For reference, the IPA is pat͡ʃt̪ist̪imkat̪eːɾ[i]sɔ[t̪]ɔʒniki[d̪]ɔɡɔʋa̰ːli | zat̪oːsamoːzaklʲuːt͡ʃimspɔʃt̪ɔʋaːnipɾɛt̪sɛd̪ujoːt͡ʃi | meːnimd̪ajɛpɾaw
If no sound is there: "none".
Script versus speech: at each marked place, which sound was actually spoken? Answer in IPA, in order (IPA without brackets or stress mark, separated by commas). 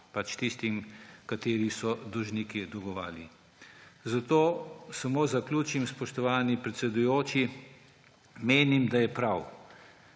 i, d̪, d̪